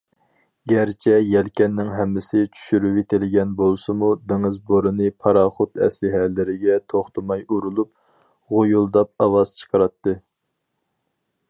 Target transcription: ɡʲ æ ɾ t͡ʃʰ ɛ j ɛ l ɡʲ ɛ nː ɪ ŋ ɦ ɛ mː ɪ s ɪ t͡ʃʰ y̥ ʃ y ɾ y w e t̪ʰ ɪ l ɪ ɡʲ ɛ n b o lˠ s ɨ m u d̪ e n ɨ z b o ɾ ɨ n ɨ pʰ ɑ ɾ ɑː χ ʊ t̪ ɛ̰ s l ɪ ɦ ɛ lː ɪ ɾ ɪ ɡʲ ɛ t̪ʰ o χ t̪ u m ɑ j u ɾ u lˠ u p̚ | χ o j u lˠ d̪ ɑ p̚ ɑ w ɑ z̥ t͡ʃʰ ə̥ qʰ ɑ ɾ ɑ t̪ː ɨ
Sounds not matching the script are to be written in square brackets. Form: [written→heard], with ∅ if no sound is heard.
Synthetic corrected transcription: ɡʲ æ ɾ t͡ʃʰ ɛ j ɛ l [ɡʲ→kʲ] ɛ nː ɪ ŋ ɦ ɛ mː ɪ s ɪ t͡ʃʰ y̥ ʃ y ɾ y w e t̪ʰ ɪ l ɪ ɡʲ ɛ n b o lˠ s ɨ m u d̪ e [n→ŋ] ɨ z b o ɾ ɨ n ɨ pʰ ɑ ɾ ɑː χ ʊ t̪ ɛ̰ s l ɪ ɦ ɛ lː ɪ ɾ ɪ ɡʲ ɛ t̪ʰ o χ t̪ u m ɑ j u ɾ u lˠ u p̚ | [χ→ʁ] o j u lˠ d̪ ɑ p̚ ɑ w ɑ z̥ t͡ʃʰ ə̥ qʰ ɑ ɾ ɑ t̪ː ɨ